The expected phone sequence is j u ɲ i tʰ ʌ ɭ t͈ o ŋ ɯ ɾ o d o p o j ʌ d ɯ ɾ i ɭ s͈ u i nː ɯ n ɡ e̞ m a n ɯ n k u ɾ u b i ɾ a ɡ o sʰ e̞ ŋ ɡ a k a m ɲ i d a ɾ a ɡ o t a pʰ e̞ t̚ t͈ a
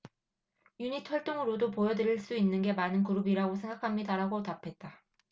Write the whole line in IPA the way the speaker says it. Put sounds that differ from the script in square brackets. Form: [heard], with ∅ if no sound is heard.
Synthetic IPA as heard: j u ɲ i tʰ ʌ ɭ t͈ o ŋ ɯ ɾ o d o p o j ʌ d ɯ ɾ i ɭ s͈ u i nː ɯ n ɡ e̞ m a n ɯ n k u ɾ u b i ɾ a ɡ o sʰ e̞ ŋ ɡ a [kʰ] a m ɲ i d a ɾ a ɡ o t a pʰ e̞ t̚ t͈ a